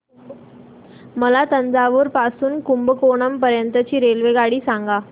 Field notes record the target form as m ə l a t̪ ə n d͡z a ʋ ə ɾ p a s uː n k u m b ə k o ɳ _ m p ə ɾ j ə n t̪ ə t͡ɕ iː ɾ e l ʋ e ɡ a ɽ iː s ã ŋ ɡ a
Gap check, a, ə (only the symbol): ə